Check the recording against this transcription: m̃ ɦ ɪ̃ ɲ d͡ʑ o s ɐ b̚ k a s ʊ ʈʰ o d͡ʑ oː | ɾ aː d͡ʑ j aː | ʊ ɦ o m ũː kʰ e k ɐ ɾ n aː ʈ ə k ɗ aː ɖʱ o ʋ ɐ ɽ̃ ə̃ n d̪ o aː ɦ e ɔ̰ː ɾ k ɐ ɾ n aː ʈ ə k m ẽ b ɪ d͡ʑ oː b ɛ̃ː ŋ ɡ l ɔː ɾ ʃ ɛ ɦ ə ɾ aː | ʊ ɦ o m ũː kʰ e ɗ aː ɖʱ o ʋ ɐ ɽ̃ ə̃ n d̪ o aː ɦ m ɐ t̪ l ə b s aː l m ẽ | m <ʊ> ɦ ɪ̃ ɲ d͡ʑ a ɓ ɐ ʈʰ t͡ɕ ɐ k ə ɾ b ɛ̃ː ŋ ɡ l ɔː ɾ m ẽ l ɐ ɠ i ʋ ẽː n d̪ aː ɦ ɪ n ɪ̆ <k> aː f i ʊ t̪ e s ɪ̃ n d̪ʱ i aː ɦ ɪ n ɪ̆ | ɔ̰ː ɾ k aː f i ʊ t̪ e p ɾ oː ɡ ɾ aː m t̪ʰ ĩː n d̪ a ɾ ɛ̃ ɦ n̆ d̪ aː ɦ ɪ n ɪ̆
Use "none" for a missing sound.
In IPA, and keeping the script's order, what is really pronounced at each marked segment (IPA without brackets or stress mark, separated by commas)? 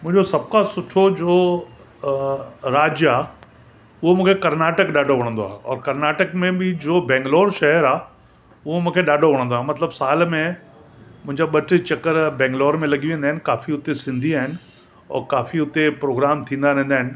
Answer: ʊ̃, k